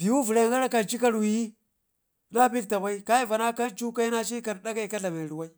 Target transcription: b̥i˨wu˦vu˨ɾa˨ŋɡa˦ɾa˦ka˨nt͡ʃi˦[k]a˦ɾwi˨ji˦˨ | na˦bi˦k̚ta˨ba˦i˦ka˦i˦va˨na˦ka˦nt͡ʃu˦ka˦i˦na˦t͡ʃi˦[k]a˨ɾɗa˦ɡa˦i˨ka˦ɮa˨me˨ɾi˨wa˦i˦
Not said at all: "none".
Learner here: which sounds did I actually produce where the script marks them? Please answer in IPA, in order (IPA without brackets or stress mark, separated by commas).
k, k